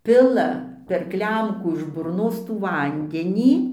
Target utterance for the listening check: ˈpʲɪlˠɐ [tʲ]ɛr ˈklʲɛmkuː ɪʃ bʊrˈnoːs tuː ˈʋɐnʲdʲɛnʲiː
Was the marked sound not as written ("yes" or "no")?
yes